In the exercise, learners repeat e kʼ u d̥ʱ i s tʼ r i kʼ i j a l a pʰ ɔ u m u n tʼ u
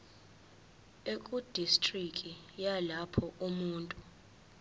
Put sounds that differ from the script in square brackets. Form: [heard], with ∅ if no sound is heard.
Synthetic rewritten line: e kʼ u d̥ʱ i s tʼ r i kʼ i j a l a pʰ ɔ u m [uː] n tʼ u